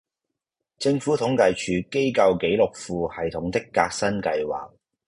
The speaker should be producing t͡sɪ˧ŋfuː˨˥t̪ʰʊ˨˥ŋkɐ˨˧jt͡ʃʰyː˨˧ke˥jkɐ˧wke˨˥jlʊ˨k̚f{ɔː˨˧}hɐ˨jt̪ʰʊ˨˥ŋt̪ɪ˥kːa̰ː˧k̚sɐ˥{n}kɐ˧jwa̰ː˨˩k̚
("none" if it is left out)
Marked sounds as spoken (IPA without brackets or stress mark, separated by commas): uː˨˧, n